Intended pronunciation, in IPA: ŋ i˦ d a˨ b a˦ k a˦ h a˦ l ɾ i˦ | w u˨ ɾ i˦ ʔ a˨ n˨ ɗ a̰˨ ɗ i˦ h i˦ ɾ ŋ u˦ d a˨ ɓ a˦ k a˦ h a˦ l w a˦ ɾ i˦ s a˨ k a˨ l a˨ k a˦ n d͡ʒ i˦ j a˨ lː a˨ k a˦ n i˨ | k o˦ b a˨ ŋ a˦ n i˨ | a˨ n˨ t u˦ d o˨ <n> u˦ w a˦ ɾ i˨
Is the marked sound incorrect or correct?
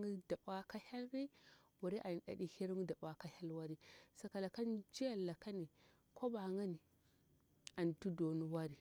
correct